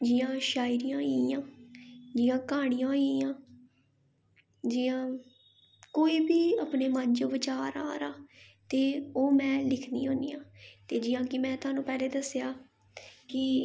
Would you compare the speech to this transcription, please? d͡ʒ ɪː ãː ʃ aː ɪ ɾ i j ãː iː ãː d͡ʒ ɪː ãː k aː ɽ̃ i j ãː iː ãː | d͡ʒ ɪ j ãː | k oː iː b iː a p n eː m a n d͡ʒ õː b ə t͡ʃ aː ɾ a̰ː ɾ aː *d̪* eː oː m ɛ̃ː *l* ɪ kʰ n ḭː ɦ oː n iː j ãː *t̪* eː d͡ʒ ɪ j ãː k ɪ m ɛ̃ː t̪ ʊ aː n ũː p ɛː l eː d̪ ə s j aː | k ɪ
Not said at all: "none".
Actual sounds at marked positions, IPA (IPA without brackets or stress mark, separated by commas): t̪, l, t̪